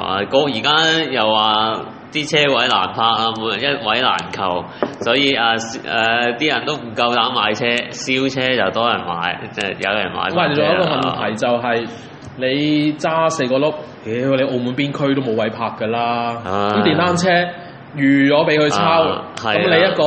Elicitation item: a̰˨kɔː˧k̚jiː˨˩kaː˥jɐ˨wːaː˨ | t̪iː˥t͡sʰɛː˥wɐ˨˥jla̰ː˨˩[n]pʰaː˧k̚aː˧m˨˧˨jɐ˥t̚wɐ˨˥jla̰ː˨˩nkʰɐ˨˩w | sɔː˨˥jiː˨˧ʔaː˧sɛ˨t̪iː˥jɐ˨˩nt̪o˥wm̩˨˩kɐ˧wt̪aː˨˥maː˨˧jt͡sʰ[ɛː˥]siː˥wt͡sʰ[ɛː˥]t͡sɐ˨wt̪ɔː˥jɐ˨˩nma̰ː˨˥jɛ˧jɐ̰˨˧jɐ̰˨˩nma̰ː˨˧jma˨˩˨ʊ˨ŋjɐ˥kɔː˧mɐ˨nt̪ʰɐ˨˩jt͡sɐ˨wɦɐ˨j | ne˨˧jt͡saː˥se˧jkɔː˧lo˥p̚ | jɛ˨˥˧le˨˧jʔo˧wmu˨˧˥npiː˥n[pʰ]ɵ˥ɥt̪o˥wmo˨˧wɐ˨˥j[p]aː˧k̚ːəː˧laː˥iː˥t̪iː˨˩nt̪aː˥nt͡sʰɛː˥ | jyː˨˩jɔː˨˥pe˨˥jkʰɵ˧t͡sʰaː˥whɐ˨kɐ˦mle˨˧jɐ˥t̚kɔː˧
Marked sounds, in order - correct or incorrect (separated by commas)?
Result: correct, correct, correct, incorrect, incorrect